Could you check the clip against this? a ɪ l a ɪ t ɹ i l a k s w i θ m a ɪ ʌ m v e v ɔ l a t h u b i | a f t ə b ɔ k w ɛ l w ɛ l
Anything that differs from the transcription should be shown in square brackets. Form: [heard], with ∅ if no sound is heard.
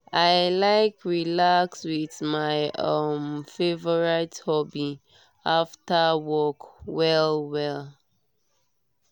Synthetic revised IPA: a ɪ l a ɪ [k] ɹ i l a k s w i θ m a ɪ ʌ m [f] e v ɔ [ɹ] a t h [ɔ] b i | a f t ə [w] ɔ k w ɛ l w ɛ l

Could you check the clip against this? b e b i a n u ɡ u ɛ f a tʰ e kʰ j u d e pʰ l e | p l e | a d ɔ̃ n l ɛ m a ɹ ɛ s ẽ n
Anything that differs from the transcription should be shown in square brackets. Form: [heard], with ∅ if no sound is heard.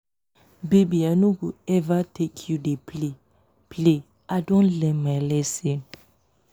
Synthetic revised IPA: b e b i a n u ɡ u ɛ [v] a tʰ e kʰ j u d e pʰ l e | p l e | a d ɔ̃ n l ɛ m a [l] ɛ s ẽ n

